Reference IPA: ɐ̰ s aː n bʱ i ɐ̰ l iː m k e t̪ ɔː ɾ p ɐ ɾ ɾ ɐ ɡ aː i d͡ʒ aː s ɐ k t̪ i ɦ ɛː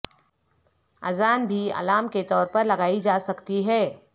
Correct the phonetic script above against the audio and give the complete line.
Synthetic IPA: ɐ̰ z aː n bʱ i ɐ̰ l aː m k e t̪ ɔː ɾ p ɐ ɾ l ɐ ɡ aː i d͡ʒ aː s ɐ k t̪ i ɦ ɛː